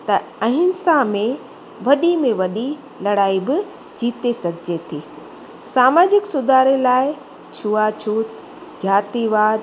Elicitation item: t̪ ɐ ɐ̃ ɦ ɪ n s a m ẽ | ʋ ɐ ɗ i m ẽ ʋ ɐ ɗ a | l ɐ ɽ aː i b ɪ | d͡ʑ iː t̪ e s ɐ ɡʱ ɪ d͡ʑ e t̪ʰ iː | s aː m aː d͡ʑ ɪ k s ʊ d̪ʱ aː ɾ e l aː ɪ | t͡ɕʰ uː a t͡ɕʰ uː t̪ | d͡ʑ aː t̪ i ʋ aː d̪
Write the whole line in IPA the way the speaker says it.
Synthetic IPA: t̪ ɐ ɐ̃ ɦ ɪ n s a m ẽ | ʋ ɐ ɗ i m ẽ ʋ ɐ ɗ i | l ɐ ɽ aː i b ɪ | d͡ʑ iː t̪ e s ɐ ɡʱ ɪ d͡ʑ e t̪ʰ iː | s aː m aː d͡ʑ ɪ k s ʊ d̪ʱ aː ɾ e l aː ɪ | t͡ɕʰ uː a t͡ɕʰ uː t̪ | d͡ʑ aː t̪ i ʋ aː d̪